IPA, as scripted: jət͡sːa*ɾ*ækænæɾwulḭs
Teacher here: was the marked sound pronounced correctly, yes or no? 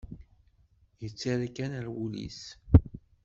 yes